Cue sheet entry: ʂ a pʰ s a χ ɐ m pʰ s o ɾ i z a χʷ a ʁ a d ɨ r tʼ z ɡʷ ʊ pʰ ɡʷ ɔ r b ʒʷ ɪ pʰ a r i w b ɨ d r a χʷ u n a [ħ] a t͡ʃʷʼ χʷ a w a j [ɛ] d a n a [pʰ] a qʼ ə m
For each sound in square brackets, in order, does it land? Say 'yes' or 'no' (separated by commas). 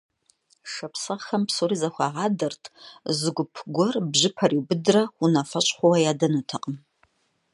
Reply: no, no, no